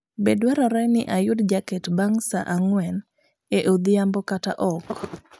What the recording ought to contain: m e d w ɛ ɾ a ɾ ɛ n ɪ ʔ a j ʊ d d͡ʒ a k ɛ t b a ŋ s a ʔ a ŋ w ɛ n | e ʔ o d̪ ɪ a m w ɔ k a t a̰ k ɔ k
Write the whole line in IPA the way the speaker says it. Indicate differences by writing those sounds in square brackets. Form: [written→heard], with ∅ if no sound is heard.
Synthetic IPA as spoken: [m→b] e d w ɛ ɾ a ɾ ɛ n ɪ ʔ a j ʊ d d͡ʒ a k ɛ t b a ŋ s a ʔ a ŋ w ɛ n | e ʔ o d̪ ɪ a m [w→b] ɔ k a t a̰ [k→ʔ] ɔ k

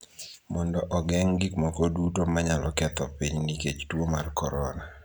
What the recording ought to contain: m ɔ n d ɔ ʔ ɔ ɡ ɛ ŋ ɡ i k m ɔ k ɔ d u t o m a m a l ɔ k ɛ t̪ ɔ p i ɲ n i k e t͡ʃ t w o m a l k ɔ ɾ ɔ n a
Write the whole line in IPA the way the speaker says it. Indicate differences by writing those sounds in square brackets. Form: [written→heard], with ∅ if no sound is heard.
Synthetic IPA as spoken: m ɔ n d ɔ ʔ ɔ ɡ ɛ ŋ ɡ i k m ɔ k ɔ d u t o m a [m→ɲ] a l ɔ k ɛ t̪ ɔ p i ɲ n i k e t͡ʃ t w o m a [l→r] k ɔ ɾ ɔ n a

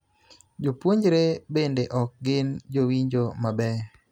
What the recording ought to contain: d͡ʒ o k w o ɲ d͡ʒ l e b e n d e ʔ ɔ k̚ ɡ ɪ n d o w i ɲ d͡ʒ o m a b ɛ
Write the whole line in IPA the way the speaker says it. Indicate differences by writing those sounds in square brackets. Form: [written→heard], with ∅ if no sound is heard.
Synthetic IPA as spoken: d͡ʒ o [k→p] w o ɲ d͡ʒ [l→ɾ] e b e n d e ʔ ɔ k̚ ɡ ɪ n [d→d͡ʒ] o w i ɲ d͡ʒ o m a b ɛ

